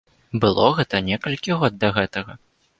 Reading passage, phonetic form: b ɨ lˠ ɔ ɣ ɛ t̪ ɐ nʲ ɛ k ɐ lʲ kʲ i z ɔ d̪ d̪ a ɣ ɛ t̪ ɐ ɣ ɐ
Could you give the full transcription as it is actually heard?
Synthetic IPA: b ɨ lˠ ɔ ɣ ɛ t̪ ɐ nʲ ɛ k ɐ lʲ kʲ i ɣ ɔ d̪ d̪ ɐ ɣ ɛ t̪ ɐ ɣ ɐ